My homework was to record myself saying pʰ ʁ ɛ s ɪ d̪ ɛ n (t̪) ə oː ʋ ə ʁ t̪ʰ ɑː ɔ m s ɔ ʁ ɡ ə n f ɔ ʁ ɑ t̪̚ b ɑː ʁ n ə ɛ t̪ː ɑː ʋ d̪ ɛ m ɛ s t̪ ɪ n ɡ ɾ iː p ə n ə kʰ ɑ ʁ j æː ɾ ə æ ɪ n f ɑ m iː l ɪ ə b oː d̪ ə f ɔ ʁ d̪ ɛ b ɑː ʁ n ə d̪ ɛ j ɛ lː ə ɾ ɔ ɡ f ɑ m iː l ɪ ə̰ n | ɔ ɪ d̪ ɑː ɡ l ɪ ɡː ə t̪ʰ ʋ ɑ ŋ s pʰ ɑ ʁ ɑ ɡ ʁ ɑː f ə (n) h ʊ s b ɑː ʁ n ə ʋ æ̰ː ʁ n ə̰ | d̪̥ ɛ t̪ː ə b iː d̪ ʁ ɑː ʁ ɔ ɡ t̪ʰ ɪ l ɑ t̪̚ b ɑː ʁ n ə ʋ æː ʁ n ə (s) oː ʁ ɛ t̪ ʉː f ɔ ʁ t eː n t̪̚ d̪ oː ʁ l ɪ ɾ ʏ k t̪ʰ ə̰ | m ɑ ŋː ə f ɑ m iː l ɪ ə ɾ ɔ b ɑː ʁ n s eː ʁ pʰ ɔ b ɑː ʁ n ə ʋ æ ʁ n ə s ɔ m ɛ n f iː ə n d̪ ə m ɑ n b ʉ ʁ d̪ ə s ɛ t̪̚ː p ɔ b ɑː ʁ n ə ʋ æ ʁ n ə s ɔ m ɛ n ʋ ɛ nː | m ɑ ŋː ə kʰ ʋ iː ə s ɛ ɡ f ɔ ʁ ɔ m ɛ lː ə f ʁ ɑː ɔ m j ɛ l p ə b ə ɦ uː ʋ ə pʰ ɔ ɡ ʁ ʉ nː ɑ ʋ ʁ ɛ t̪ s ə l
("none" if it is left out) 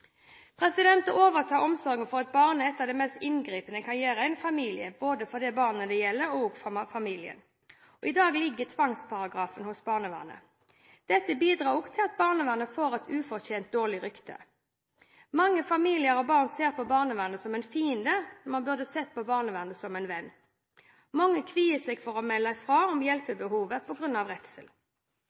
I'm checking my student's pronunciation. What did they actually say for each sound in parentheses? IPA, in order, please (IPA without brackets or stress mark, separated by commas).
t̪, n, f